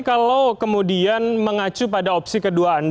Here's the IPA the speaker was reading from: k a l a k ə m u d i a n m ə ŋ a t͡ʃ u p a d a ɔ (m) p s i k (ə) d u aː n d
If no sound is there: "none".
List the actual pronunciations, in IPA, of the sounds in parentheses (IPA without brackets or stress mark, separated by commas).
none, ə